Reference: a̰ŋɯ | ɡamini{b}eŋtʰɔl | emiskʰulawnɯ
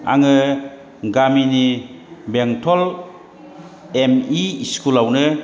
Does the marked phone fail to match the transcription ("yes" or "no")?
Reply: no